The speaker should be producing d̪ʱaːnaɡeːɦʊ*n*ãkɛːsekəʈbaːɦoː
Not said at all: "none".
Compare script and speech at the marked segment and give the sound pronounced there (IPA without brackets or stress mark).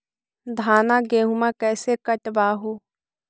m